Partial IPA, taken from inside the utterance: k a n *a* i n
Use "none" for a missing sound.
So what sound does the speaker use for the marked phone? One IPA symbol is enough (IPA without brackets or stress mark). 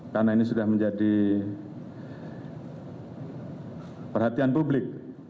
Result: a